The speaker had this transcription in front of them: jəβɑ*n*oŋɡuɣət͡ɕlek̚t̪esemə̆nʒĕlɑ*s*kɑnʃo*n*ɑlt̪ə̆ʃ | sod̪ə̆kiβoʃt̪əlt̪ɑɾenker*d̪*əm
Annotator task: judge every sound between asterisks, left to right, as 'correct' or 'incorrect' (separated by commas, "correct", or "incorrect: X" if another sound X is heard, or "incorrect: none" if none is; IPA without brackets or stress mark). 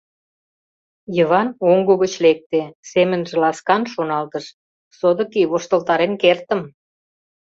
correct, correct, correct, incorrect: t̪